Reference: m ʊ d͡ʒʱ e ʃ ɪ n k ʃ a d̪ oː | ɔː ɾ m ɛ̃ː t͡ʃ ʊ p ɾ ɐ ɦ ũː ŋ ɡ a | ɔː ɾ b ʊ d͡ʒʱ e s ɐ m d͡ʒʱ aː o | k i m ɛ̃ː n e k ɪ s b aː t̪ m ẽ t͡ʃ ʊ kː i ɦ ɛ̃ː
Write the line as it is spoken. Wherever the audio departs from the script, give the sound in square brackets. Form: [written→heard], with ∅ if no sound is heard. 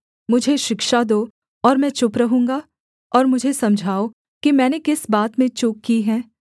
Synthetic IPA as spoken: m ʊ d͡ʒʱ e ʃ ɪ [n→∅] k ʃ a d̪ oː | ɔː ɾ m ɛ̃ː t͡ʃ ʊ p ɾ ɐ ɦ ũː ŋ ɡ a | ɔː ɾ [b→m] ʊ d͡ʒʱ e s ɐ m d͡ʒʱ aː o | k i m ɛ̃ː n e k ɪ s b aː t̪ m ẽ t͡ʃ ʊ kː i ɦ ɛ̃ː